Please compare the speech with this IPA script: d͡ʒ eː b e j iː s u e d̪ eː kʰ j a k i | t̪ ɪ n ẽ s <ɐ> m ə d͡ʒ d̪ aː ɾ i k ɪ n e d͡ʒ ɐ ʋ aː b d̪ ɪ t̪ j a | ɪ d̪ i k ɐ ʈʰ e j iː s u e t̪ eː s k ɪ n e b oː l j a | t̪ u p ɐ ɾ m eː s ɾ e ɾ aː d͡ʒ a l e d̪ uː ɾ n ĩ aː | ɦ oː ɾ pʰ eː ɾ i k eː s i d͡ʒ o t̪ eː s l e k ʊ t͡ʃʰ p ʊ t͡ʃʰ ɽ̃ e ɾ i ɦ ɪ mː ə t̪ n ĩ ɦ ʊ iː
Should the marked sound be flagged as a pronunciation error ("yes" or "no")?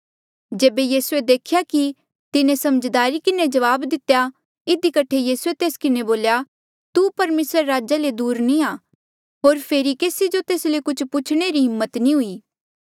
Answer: no